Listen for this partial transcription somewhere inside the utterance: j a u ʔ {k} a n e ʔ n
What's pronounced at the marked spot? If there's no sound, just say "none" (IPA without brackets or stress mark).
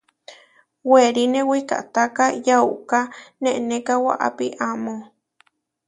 k